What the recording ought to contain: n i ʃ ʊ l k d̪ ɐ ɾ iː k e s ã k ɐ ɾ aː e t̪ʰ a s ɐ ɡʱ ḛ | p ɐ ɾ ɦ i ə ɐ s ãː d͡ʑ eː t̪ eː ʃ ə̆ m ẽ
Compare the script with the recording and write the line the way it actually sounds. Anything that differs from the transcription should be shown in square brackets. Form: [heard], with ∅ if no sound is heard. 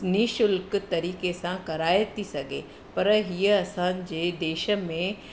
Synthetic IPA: n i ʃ ʊ l k [t̪] ɐ ɾ iː k e s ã k ɐ ɾ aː e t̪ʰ [i] s ɐ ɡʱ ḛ | p ɐ ɾ ɦ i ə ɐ s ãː d͡ʑ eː [d̪] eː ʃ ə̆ m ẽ